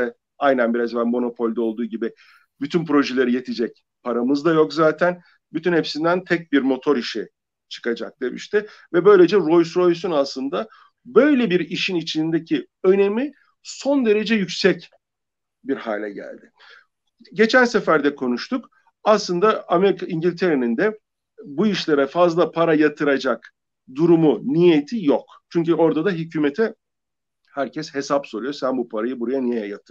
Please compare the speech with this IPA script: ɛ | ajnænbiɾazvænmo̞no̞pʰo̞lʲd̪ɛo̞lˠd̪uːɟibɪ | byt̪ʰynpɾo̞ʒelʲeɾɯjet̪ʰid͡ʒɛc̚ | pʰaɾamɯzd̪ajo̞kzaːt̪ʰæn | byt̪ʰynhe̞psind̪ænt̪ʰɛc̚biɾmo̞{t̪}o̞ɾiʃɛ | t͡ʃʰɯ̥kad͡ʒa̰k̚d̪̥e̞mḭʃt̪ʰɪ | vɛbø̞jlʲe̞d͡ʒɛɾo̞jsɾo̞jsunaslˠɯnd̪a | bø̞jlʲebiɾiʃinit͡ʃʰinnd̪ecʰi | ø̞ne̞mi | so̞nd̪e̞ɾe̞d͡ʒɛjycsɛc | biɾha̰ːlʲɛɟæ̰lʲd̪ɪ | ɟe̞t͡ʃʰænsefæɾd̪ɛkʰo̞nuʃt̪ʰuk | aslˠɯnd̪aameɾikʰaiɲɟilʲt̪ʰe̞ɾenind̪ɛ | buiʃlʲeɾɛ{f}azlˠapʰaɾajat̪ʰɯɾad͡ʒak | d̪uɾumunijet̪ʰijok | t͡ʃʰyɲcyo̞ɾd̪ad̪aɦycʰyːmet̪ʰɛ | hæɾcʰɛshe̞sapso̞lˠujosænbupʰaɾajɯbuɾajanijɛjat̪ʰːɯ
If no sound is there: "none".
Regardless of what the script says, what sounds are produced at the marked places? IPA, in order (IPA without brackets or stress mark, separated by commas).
t̪ʰ, f